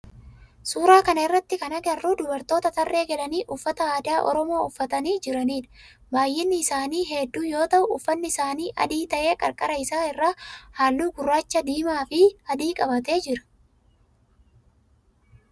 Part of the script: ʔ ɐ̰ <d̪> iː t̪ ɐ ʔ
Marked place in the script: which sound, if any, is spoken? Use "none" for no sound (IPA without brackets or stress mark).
d̪